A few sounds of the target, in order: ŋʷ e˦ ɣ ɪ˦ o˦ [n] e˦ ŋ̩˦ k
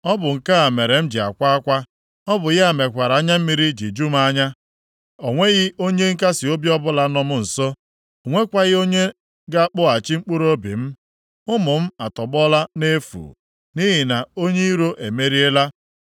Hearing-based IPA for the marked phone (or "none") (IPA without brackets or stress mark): ɲ